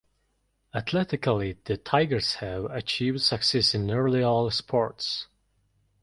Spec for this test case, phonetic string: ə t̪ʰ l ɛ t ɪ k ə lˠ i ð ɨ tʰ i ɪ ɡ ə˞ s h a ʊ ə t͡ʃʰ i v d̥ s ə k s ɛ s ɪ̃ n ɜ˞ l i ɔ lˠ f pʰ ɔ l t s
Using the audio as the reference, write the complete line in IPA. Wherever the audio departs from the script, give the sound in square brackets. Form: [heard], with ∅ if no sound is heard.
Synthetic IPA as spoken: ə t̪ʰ l ɛ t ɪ k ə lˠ i ð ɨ tʰ [a] ɪ ɡ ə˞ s h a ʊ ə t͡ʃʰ i v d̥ s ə k s ɛ s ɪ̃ n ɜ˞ l i ɔ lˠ [s] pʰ ɔ [ɹ] t s